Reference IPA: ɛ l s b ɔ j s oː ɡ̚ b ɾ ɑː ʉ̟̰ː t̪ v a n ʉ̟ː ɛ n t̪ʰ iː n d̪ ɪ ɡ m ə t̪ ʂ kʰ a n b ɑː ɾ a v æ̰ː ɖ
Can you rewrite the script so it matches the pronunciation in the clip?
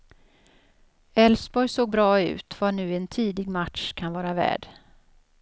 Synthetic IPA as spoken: ɛ l s b ɔ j s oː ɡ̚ b ɾ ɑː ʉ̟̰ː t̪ v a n ʉ̟ː ɛ n t̪ʰ iː d̪ ɪ ɡ m a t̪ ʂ kʰ a n v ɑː ɾ a v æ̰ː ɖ